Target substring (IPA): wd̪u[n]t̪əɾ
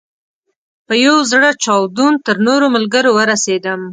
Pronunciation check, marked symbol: correct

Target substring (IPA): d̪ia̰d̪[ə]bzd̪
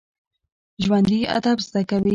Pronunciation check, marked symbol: incorrect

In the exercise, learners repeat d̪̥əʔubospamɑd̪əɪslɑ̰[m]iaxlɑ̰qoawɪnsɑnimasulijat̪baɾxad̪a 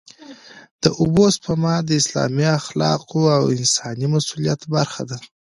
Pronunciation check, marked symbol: correct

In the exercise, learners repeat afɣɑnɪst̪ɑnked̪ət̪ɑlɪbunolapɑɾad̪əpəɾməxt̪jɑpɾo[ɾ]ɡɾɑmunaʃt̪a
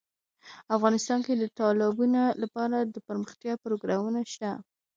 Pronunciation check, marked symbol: incorrect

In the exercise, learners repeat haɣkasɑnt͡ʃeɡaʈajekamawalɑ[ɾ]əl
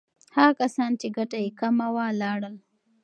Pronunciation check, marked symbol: incorrect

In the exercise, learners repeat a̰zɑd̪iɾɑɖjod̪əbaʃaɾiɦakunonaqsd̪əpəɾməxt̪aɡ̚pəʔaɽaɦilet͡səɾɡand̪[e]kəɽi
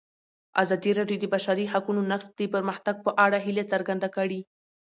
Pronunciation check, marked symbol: incorrect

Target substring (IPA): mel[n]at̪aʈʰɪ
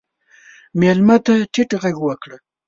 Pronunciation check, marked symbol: incorrect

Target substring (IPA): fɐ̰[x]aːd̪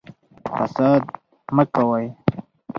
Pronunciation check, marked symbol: incorrect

